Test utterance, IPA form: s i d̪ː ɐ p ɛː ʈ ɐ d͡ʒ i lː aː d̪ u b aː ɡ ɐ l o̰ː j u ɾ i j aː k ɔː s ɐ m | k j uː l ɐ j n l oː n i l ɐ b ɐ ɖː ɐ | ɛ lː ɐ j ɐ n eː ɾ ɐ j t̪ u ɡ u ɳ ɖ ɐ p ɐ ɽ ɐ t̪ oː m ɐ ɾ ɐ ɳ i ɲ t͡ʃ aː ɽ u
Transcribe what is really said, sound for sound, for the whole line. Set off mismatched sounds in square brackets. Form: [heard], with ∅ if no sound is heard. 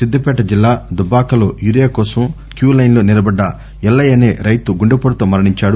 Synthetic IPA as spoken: s i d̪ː ɐ p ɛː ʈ ɐ d͡ʒ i lː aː d̪ u b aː [k] ɐ l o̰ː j u ɾ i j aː k ɔː s ɐ m | k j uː l ɐ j n l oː n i l ɐ b ɐ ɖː ɐ | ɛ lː ɐ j ɐ n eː ɾ ɐ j t̪ u ɡ u ɳ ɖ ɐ p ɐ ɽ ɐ t̪ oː m ɐ ɾ ɐ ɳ i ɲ t͡ʃ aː ɽ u